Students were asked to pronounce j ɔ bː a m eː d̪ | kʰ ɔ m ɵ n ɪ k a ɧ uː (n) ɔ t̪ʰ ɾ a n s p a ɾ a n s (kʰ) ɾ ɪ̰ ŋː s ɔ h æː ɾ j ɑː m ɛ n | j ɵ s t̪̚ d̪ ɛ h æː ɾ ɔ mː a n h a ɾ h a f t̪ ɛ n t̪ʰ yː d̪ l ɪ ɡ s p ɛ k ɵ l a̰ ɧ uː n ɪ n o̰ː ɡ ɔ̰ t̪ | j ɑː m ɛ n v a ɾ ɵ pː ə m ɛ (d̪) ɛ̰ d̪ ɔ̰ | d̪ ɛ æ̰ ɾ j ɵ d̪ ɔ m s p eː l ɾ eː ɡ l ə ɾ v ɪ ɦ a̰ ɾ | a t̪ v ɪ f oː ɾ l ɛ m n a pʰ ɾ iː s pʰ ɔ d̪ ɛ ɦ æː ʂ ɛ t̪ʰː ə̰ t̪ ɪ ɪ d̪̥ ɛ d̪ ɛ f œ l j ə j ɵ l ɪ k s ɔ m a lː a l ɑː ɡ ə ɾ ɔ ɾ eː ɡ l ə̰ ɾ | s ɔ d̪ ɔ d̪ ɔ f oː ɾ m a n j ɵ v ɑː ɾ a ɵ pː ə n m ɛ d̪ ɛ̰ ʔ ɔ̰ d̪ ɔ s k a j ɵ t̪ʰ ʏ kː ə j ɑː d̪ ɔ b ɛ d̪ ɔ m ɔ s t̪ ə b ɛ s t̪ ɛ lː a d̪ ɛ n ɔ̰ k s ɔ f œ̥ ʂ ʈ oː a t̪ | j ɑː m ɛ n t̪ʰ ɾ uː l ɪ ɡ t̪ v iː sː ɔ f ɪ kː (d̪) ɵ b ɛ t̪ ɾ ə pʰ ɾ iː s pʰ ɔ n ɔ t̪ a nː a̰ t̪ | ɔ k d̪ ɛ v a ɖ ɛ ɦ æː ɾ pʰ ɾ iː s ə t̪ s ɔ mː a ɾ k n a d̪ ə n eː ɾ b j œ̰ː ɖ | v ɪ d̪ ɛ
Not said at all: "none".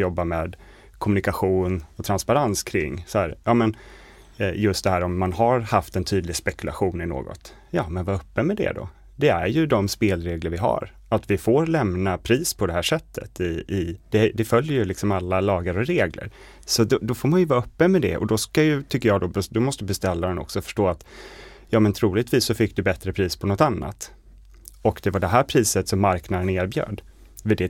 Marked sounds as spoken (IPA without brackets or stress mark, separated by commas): n, kʰ, d̪, d̪